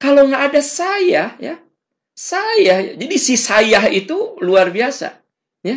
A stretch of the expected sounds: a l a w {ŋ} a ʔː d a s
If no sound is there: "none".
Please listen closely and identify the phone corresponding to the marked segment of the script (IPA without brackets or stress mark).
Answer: ŋ